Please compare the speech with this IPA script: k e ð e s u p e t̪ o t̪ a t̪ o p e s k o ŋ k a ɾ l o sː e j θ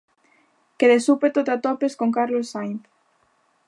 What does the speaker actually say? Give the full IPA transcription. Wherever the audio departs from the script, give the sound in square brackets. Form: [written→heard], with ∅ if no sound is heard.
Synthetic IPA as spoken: k e ð e s u p e t̪ o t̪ a t̪ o p e s k o ŋ k a ɾ l o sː [e→a] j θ